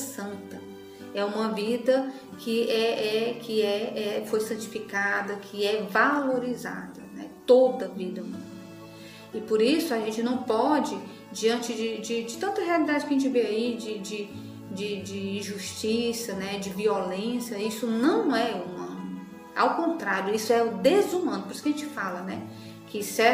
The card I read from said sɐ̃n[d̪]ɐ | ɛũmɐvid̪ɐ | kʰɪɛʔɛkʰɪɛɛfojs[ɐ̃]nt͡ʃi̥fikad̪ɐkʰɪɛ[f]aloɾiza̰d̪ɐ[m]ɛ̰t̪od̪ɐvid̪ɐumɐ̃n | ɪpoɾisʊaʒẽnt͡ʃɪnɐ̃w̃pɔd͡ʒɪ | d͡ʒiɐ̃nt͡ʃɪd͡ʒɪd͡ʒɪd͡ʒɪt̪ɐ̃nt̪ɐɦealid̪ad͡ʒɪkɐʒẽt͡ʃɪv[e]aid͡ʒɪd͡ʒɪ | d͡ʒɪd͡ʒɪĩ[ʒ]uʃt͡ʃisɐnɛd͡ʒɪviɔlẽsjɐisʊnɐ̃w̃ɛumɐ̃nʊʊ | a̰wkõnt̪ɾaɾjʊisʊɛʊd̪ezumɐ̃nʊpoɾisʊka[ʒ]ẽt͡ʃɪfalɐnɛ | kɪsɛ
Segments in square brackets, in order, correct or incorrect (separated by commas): incorrect, correct, incorrect, incorrect, correct, correct, correct